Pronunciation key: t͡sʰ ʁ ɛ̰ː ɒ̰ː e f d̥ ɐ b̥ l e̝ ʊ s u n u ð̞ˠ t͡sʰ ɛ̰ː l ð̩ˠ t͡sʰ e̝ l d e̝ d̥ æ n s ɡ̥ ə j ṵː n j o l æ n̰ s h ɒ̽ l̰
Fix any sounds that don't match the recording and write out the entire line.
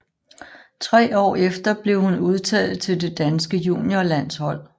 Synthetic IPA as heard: t͡sʰ ʁ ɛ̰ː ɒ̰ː e f d̥ ɐ b̥ l e̝ ʊ h u n u ð̞ˠ t͡sʰ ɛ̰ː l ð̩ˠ t͡sʰ e̝ l d e̝ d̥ æ n s ɡ̥ ə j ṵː n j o l æ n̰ s h ɒ̽ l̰